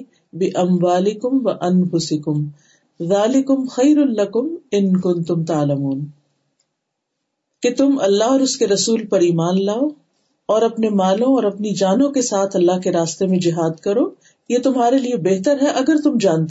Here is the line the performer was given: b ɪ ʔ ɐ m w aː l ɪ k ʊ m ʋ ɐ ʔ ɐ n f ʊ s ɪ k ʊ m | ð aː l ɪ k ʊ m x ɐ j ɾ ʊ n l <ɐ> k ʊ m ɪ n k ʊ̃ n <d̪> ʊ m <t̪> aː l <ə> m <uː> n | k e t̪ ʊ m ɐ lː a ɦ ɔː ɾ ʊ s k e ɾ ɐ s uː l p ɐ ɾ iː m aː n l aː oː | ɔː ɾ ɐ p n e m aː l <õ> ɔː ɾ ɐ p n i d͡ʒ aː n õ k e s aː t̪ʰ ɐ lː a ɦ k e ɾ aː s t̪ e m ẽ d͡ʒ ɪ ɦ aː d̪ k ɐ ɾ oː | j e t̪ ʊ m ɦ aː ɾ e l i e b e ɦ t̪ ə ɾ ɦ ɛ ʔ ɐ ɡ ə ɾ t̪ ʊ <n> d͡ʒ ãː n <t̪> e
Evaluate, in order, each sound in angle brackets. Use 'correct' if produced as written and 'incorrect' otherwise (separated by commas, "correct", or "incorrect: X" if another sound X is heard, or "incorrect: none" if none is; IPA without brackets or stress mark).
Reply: correct, incorrect: t̪, correct, incorrect: ɐ, correct, correct, incorrect: m, correct